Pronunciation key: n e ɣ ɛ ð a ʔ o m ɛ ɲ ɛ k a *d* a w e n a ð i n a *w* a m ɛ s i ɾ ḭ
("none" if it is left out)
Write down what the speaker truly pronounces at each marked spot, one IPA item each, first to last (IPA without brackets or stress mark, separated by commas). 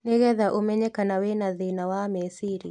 n, w